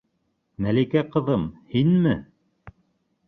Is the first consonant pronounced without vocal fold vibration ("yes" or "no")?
no